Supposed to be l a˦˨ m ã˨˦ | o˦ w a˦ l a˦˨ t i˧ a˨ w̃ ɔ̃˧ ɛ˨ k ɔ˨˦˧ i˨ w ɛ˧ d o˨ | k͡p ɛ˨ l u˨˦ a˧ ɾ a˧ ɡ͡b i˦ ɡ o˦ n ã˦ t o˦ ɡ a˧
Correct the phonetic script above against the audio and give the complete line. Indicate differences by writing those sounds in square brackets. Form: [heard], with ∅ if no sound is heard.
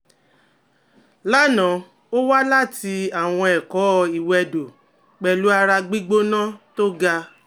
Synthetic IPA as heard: l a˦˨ [n] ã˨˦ | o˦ w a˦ l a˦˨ t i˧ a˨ w̃ ɔ̃˧ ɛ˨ k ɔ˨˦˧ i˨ w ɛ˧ d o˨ | k͡p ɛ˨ l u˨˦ a˧ ɾ a˧ ɡ͡b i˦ [ɡ͡b] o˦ n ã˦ t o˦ ɡ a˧